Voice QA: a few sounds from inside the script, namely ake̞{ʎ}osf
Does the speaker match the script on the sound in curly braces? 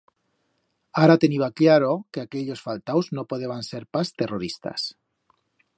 yes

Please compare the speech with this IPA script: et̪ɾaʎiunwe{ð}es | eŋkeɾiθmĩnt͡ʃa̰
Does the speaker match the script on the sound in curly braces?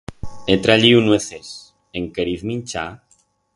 no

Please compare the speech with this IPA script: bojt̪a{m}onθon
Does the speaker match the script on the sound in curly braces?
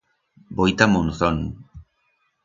yes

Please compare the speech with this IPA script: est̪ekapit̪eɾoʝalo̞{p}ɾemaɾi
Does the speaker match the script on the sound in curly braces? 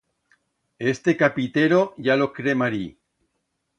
no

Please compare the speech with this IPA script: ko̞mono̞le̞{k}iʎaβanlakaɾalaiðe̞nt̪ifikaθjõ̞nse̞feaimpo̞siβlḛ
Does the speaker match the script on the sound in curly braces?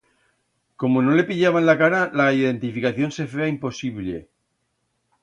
no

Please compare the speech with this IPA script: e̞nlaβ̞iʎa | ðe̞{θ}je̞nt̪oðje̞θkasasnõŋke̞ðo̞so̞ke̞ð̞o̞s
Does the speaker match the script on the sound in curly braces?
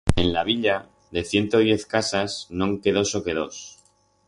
yes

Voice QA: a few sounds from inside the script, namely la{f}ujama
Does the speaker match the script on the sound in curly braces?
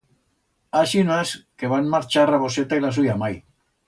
no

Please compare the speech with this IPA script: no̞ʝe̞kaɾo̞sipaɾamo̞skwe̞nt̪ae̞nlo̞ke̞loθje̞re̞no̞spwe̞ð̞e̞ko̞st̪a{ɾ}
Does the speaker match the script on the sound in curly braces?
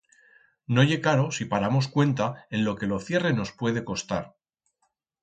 yes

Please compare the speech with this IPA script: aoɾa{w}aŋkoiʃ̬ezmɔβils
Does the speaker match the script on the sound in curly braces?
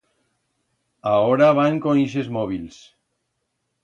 no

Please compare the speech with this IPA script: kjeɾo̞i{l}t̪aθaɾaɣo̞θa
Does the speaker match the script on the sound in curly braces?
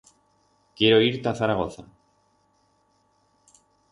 no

